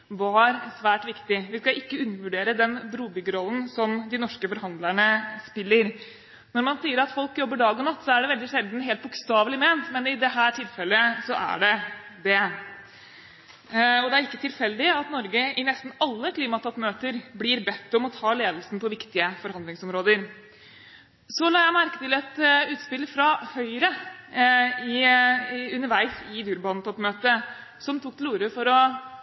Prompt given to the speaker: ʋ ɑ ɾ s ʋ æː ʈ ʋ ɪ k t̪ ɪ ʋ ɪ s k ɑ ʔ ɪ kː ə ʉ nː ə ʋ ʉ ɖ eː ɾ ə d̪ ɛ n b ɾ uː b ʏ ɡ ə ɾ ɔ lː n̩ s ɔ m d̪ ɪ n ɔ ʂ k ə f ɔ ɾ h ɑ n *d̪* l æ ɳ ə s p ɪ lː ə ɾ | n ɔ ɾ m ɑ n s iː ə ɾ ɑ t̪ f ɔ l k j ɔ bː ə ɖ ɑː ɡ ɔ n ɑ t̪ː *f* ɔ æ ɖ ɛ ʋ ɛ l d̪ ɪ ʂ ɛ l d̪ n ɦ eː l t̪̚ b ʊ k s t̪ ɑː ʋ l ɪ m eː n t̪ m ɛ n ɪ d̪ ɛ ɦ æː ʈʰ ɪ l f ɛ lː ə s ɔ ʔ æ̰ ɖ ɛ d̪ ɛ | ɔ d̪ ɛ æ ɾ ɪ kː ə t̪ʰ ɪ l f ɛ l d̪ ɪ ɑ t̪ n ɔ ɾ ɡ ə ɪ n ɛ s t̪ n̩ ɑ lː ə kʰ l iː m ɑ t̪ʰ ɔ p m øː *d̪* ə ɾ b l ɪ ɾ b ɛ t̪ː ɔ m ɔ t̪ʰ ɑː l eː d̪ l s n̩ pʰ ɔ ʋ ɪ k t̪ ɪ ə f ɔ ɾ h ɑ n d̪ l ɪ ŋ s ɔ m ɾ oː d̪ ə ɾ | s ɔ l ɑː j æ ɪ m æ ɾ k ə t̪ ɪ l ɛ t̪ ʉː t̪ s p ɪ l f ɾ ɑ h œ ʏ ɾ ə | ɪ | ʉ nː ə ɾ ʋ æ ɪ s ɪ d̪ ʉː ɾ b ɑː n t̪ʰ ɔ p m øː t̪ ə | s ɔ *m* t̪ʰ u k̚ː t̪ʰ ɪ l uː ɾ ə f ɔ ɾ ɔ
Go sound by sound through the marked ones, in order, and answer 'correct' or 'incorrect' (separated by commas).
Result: correct, incorrect, incorrect, correct